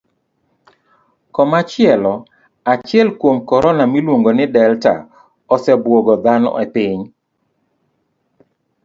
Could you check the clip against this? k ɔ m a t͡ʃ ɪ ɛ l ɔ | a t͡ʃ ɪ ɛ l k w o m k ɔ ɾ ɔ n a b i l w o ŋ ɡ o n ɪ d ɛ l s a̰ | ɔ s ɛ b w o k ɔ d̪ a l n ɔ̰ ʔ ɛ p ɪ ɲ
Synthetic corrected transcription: k ɔ m a t͡ʃ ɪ ɛ l ɔ | a t͡ʃ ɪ ɛ l k w o m k ɔ ɾ ɔ n a m i l w o ŋ ɡ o n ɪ d ɛ l t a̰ | ɔ s ɛ b w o ɡ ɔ d̪ a n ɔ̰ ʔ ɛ p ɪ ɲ